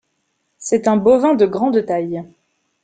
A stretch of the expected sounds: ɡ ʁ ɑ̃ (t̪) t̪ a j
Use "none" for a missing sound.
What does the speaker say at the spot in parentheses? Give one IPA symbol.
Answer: d̪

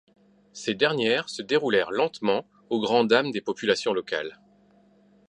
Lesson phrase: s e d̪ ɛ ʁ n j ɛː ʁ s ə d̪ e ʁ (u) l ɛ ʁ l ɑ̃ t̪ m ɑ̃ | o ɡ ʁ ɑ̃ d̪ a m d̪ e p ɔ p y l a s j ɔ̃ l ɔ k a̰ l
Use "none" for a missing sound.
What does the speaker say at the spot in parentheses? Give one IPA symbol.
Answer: u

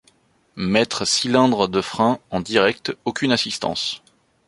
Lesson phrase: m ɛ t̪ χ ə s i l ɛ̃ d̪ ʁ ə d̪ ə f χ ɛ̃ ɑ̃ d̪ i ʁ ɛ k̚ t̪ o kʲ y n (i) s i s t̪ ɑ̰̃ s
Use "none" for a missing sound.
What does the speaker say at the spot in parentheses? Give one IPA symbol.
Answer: a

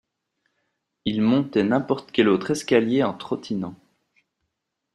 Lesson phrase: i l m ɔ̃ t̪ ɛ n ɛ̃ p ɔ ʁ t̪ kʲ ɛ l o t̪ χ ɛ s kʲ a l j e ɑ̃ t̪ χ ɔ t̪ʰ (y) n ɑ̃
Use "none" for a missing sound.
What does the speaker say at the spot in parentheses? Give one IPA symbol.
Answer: i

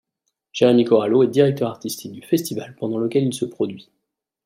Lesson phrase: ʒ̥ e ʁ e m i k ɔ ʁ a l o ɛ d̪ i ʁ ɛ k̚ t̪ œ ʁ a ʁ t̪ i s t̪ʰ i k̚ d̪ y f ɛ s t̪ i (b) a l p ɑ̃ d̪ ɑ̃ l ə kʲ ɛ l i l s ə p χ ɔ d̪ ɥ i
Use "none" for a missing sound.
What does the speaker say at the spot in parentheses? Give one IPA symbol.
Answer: v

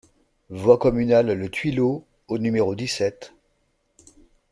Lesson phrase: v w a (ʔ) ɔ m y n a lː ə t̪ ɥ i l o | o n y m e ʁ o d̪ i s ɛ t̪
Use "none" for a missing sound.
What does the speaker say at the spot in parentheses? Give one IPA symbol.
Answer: k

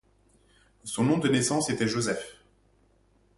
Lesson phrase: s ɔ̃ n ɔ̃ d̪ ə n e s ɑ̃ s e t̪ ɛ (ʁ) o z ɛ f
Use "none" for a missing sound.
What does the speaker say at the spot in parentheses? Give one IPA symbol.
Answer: ʒ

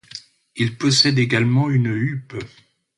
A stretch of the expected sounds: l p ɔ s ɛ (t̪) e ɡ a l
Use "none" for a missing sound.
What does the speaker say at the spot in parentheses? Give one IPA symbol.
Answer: d̪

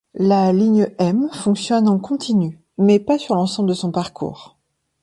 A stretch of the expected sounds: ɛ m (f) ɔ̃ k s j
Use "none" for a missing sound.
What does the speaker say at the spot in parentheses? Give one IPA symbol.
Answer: f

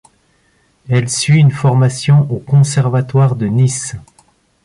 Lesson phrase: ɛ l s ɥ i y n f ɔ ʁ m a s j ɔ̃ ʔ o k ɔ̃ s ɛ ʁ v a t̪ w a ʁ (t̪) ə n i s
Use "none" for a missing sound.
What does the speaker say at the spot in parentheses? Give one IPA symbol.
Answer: d̪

